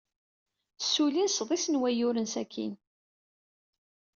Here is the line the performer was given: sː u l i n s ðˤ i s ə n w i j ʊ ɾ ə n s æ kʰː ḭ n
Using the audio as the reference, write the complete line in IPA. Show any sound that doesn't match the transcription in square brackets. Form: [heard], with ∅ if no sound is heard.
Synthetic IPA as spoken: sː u l i n s ðˤ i s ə n w [æ] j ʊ ɾ ə n s æ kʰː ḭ n